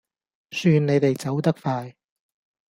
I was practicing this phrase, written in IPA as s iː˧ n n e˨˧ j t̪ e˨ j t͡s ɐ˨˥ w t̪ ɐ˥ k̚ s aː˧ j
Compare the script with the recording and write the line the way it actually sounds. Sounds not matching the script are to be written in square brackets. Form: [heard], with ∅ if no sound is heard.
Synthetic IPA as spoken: s [yː˧] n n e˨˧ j t̪ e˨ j t͡s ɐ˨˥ w t̪ ɐ˥ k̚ [f] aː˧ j